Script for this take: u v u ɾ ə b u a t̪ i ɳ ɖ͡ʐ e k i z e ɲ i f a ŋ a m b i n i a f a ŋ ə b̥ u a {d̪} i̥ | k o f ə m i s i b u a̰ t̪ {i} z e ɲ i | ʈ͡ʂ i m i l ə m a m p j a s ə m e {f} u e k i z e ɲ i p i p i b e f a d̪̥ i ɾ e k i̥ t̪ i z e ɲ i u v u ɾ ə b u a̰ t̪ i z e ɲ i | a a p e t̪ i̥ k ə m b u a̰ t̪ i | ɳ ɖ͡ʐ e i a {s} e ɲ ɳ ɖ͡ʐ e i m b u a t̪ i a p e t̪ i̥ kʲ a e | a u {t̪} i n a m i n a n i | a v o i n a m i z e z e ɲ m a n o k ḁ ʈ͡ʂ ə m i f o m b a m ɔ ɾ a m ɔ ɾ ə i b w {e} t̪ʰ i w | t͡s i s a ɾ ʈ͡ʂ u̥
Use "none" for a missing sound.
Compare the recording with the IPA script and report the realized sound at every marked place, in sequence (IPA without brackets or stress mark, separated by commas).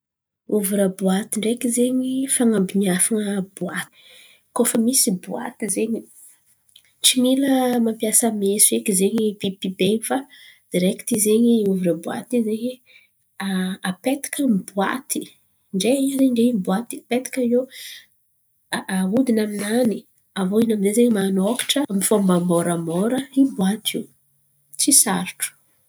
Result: t̪, i, s, z, d̪, a